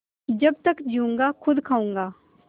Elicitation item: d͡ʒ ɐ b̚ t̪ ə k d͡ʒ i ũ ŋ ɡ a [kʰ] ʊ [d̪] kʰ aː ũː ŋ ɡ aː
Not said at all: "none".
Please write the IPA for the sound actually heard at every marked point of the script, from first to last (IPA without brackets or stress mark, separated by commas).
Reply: kʰ, d̪